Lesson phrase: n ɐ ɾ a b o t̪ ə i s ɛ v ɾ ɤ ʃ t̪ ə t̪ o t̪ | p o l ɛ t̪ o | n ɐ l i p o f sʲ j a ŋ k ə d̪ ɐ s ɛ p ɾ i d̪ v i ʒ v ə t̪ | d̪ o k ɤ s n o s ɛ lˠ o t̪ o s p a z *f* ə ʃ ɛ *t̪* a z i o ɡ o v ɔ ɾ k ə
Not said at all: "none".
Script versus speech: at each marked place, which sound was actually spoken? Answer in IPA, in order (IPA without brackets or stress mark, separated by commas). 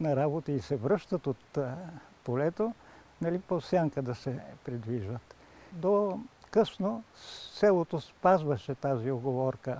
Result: v, t̪